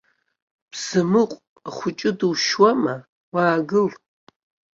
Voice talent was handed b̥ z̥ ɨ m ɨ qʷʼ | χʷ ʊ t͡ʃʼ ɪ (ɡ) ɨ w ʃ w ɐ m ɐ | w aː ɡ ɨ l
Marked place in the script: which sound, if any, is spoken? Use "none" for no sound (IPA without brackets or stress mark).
d